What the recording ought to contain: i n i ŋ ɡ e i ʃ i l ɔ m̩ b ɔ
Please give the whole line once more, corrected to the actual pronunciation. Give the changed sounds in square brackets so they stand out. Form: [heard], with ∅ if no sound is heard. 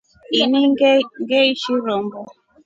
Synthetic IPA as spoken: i n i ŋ ɡ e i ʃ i [ɾ] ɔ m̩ b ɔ